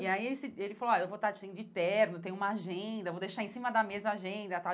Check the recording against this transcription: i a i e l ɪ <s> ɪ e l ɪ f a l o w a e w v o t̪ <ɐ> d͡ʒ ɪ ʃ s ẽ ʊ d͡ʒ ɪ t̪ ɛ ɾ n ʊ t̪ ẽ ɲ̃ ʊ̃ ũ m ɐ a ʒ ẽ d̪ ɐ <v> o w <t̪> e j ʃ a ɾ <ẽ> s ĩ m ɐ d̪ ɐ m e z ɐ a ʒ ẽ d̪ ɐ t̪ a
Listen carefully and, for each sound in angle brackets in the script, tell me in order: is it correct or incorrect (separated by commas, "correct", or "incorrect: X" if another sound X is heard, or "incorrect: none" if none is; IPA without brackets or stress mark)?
correct, incorrect: a, correct, incorrect: d̪, correct